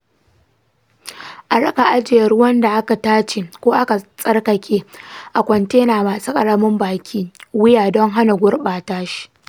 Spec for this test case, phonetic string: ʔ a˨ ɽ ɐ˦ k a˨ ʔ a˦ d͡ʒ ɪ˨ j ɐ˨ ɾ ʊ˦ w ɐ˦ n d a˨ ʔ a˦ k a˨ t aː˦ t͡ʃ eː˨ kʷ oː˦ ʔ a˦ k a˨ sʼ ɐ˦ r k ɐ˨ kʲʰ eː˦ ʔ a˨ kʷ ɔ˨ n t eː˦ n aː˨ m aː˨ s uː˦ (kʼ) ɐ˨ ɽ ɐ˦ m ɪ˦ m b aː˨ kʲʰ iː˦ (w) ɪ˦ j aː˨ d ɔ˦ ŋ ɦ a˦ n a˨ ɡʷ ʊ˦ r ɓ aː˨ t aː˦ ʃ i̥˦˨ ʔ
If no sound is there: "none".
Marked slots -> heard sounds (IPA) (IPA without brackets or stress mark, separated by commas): kʼ, w